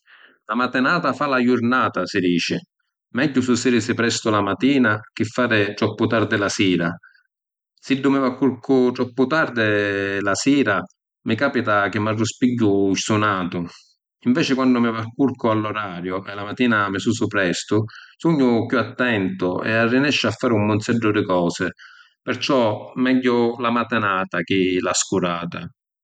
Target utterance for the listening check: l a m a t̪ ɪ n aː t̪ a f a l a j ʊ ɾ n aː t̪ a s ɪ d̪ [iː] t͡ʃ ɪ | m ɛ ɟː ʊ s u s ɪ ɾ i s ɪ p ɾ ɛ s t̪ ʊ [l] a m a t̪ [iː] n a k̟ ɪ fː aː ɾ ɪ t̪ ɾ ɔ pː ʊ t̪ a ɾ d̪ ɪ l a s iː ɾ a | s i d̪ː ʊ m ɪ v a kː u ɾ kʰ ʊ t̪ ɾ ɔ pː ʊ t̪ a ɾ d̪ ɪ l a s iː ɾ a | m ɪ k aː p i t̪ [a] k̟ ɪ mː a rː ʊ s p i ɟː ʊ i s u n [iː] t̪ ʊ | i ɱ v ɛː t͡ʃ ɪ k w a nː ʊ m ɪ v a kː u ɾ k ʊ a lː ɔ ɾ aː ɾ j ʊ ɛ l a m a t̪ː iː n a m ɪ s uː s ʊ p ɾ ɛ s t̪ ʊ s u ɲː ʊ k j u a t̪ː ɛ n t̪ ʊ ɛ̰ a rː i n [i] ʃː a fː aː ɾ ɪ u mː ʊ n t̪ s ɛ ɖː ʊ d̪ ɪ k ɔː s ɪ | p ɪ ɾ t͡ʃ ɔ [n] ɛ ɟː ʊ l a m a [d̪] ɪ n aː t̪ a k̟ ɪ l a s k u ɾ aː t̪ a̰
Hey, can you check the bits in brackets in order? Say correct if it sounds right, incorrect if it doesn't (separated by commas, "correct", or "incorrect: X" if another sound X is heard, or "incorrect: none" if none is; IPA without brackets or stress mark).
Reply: correct, correct, correct, correct, incorrect: aː, incorrect: ɛ, incorrect: m, incorrect: t̪